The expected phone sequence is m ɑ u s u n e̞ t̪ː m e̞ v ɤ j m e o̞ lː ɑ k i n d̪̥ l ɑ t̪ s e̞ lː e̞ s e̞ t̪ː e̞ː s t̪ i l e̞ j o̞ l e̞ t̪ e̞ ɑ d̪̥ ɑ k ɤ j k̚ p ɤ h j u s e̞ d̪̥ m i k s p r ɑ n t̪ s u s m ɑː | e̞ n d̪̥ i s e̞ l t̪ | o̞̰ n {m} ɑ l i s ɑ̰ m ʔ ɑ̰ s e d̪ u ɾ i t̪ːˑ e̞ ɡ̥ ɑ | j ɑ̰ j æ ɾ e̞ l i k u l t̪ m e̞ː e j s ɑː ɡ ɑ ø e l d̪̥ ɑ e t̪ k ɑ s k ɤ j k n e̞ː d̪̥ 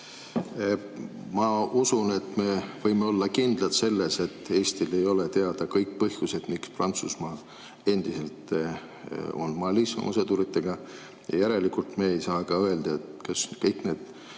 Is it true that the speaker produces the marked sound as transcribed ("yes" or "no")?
yes